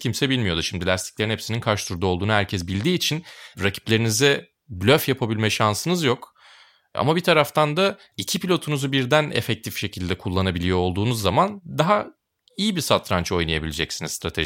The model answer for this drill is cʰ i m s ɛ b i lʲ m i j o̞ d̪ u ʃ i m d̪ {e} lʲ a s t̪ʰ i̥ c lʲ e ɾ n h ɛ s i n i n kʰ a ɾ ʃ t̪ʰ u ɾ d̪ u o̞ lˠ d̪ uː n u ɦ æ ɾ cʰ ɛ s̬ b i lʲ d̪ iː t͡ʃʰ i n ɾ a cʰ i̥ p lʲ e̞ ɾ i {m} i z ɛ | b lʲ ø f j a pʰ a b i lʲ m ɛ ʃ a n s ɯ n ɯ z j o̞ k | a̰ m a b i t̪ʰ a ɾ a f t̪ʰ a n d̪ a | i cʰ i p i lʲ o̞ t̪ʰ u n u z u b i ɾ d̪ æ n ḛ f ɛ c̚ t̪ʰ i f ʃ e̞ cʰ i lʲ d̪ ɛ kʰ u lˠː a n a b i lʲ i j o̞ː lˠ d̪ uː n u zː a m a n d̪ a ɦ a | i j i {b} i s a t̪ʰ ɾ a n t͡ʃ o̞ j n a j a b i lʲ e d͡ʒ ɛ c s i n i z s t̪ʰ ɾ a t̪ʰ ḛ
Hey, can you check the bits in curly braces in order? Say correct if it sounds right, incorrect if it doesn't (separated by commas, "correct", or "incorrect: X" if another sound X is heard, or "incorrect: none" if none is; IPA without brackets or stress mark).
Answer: incorrect: i, incorrect: n, correct